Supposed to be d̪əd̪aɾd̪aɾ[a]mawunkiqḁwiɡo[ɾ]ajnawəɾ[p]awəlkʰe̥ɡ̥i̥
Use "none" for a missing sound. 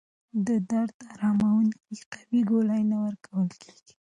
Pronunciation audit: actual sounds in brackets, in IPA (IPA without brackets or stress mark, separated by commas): ɑ, l, k